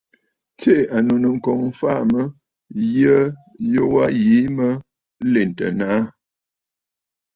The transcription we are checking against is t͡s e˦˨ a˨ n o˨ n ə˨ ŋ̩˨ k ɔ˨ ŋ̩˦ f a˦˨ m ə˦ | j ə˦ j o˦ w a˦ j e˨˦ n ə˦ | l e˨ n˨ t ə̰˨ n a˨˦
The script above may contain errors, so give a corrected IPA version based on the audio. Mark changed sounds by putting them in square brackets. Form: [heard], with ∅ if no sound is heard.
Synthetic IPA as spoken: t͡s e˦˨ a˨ n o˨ n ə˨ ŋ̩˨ k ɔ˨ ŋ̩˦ f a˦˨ m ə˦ | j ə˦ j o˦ w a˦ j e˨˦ [m] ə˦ | l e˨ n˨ t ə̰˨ n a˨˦